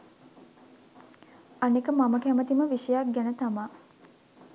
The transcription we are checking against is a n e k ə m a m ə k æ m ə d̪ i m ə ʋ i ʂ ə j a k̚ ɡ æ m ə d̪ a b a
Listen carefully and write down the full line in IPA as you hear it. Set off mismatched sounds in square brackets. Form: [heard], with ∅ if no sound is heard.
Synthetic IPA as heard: a n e k ə m a m ə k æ m ə [t̪] i m ə ʋ i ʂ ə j a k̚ ɡ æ [n] ə [t̪] a [m] a